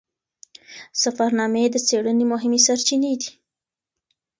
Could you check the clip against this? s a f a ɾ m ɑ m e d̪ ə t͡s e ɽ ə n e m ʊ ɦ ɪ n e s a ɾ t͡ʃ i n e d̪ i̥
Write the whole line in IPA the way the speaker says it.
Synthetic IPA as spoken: s a f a ɾ n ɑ m e d̪ ə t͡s e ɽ ə n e m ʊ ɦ ɪ m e s a ɾ t͡ʃ i n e d̪ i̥